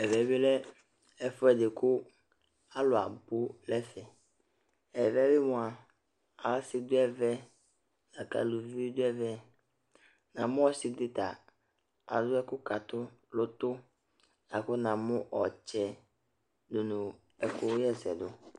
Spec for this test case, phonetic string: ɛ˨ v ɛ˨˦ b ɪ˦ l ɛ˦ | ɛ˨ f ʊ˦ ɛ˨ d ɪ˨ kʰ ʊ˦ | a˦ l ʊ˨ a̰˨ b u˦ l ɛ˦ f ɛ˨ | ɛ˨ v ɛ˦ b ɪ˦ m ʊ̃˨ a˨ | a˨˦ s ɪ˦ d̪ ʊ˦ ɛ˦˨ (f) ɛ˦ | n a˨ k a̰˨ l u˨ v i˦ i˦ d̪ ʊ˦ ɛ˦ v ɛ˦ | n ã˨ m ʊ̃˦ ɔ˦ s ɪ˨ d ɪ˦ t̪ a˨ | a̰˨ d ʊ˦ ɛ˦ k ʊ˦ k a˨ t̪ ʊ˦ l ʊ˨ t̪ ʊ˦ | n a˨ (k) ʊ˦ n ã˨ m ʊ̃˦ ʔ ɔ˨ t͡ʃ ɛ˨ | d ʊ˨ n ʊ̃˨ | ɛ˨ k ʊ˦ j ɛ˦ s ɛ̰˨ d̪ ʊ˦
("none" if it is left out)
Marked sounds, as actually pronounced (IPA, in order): v, k

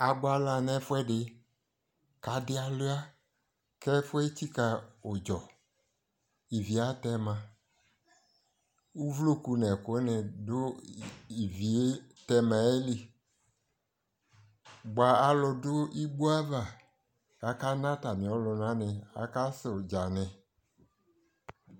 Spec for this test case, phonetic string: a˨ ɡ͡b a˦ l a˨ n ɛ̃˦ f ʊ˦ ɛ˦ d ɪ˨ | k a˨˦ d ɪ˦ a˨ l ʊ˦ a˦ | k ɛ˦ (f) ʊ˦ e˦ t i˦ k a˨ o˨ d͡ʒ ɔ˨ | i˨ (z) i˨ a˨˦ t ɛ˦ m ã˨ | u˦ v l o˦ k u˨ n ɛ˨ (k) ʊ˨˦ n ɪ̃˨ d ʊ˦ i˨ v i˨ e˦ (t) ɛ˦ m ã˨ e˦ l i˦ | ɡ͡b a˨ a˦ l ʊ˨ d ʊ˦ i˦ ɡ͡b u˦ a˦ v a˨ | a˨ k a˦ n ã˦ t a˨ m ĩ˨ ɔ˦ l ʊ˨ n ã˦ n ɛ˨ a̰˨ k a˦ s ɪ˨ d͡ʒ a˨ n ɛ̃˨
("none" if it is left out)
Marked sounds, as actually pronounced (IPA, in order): f, v, k, t

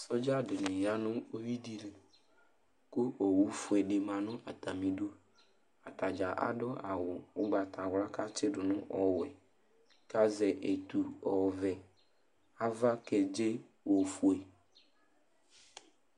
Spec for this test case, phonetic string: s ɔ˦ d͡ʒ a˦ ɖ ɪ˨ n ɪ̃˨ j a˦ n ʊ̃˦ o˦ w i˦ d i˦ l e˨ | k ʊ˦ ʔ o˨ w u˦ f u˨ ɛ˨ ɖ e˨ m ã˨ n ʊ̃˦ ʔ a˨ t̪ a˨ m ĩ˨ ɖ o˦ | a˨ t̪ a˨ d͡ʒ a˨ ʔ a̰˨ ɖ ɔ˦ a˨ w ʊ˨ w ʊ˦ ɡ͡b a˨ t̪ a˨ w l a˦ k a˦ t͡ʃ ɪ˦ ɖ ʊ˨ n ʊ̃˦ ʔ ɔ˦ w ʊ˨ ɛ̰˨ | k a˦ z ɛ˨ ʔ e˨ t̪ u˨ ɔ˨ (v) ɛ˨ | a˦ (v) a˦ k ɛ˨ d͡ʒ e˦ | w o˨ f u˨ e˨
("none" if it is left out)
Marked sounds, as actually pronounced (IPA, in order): v, v

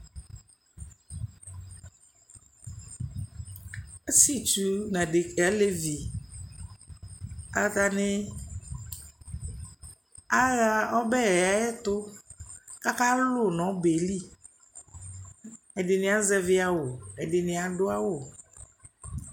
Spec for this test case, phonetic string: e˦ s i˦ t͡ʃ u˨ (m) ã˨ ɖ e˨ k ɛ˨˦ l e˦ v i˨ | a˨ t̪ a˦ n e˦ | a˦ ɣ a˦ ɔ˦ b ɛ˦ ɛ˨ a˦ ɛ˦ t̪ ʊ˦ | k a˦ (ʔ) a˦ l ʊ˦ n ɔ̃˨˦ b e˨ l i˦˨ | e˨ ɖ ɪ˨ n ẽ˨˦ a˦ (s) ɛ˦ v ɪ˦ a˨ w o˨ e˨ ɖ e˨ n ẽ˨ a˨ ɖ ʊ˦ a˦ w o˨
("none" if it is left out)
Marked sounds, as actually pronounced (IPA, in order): n, k, z

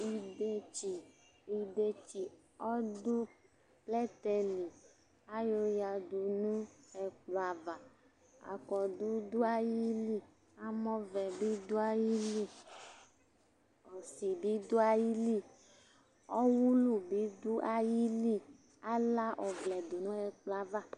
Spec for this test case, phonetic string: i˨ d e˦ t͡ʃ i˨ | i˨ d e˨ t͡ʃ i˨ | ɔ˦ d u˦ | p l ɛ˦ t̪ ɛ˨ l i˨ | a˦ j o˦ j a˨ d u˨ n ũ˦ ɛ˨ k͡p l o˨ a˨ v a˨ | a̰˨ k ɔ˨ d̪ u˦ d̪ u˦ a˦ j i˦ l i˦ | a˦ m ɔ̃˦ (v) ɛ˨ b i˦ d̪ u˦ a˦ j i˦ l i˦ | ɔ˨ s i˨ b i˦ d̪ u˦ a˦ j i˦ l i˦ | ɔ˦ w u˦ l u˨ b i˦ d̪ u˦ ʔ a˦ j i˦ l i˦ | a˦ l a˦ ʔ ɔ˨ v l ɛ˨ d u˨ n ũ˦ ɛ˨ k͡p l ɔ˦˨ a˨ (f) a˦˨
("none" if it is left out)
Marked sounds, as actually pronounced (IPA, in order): v, v

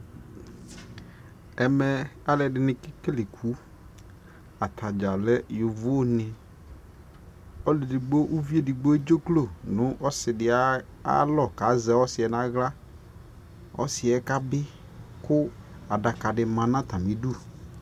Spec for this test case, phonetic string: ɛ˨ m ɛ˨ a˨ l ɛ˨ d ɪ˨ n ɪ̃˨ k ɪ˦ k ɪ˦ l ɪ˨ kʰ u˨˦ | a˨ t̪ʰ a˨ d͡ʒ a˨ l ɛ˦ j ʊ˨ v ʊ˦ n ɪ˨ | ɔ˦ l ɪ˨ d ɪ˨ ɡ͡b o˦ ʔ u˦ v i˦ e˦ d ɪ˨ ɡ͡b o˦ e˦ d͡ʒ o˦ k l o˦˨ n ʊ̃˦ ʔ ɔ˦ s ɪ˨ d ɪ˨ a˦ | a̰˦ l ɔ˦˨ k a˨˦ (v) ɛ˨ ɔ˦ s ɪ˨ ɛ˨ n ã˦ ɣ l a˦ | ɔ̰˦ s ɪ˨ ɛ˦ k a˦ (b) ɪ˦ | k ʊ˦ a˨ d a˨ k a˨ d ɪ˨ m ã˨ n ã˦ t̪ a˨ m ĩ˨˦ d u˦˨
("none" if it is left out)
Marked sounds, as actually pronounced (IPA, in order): z, b

